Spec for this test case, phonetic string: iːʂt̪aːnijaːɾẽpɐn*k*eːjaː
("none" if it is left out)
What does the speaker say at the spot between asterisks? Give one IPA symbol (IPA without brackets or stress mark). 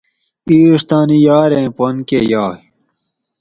k